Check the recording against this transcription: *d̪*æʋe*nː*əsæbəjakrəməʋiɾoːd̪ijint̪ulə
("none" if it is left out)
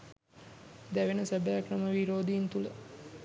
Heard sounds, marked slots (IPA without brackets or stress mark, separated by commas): d̪, n